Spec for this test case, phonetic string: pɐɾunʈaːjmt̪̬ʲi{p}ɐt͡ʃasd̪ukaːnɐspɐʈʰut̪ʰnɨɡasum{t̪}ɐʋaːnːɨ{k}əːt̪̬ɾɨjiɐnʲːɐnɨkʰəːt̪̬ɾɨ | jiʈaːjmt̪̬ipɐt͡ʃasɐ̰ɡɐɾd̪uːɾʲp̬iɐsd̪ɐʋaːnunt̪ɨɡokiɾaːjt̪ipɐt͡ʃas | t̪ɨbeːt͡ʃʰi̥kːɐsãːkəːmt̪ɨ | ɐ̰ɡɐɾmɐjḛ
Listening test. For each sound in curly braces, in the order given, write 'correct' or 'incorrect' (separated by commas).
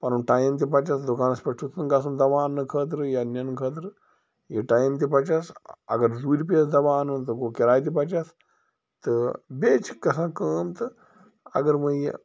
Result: correct, incorrect, incorrect